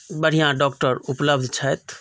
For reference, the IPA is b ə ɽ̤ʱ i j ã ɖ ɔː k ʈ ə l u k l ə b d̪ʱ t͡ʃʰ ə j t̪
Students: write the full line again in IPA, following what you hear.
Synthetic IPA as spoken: b ə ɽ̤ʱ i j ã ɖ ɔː k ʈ ə ɾ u p l ə b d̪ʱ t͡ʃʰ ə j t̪